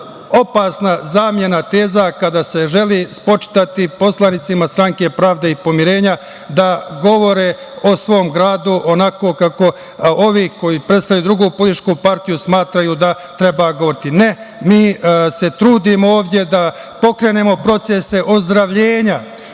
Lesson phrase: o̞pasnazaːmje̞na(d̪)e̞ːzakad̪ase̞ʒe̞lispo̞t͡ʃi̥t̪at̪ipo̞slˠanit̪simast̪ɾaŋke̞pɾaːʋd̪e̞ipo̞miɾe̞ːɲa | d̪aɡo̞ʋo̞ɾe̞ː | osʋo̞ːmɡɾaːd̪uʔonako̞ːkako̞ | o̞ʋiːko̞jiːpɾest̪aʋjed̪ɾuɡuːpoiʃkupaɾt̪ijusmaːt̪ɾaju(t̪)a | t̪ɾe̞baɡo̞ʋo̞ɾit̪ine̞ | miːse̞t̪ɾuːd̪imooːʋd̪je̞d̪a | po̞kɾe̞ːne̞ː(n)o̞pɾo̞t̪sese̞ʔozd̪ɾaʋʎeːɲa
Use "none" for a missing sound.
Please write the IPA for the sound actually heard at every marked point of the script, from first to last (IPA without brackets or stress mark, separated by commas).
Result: t̪, d̪, m